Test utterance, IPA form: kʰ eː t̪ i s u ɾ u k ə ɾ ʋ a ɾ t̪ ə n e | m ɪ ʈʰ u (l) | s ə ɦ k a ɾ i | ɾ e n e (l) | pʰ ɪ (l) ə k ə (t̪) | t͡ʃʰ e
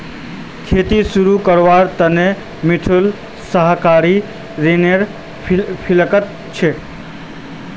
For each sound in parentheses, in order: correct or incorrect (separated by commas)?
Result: correct, incorrect, correct, correct